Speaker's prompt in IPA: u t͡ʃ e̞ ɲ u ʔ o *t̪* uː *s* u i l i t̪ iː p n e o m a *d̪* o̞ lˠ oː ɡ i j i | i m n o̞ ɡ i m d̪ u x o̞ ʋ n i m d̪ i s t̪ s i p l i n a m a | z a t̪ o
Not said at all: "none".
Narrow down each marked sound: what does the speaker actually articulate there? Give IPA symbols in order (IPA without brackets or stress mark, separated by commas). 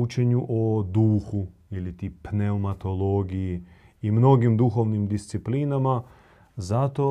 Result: d̪, x, t̪